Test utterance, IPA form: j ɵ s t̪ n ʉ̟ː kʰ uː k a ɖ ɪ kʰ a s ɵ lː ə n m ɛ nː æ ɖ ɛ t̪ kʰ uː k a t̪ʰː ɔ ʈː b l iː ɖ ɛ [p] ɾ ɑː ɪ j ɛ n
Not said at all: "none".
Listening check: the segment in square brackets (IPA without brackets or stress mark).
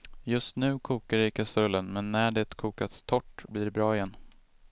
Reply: b